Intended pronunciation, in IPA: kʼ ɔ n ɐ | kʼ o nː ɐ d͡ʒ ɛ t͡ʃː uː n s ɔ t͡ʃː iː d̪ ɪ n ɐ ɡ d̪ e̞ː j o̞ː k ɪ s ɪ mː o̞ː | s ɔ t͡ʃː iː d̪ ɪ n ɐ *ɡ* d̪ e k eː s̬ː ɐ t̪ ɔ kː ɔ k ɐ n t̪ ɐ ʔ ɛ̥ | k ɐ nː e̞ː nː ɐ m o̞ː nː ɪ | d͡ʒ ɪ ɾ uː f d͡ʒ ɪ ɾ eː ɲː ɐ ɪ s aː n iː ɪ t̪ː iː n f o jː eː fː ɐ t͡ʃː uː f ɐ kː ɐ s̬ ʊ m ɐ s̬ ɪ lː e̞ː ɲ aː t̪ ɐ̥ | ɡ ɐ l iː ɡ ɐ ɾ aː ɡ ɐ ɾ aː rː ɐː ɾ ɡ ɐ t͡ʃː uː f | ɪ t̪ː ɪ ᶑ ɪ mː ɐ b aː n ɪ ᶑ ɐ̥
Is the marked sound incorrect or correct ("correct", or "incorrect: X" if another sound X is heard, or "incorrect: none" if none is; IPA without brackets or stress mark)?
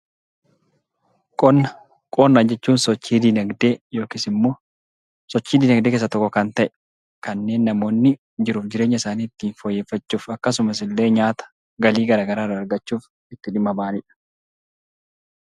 correct